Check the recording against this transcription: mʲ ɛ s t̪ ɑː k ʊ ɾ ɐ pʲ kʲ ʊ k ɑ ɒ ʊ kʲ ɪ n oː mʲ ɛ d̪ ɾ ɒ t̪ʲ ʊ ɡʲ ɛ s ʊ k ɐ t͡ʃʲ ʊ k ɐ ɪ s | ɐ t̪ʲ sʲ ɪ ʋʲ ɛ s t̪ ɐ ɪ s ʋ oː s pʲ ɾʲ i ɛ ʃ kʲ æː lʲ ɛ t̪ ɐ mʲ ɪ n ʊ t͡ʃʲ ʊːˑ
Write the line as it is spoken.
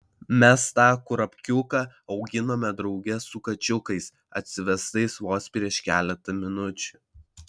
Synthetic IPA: mʲ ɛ s t̪ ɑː k ʊ ɾ ɐ pʲ kʲ ʊ k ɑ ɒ ʊ ɡʲ ɪ n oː mʲ ɛ d̪ ɾ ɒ ʊ ɡʲ ɛ s ʊ k ɐ t͡ʃʲ ʊ k ɐ ɪ s | ɐ t̪ʲ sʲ ɪ ʋʲ ɛ s t̪ ɐ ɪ s ʋ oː s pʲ ɾʲ i ɛ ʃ kʲ æː lʲ ɛ t̪ ɐ mʲ ɪ n ʊ t͡ʃʲ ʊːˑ